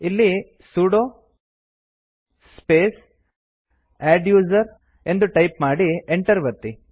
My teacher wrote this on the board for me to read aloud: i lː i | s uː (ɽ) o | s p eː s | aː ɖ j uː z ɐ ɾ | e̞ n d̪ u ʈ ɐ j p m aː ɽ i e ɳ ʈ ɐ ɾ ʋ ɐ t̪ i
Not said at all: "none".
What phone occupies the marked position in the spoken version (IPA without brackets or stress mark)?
ɽ